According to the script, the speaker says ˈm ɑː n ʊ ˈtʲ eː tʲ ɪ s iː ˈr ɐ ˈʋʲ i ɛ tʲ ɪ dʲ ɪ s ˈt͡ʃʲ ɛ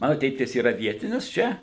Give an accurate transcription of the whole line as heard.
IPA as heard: ˈm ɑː n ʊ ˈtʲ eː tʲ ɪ s iː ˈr ɐ ˈʋʲ i ɛ tʲ ɪ nʲ ɪ s ˈt͡ʃʲ ɛ